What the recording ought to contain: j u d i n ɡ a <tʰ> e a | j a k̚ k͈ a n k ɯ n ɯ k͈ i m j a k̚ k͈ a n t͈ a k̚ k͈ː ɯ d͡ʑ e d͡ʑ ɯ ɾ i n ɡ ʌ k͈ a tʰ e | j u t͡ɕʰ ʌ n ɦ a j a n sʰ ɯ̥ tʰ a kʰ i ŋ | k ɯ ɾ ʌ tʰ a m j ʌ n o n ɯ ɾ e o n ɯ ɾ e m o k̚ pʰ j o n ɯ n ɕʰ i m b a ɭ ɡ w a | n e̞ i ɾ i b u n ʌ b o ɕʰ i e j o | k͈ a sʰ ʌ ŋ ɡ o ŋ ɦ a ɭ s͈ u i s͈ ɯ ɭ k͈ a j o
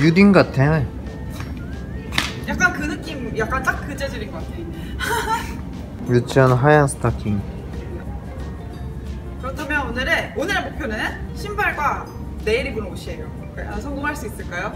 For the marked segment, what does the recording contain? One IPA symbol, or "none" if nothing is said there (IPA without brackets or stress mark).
tʰ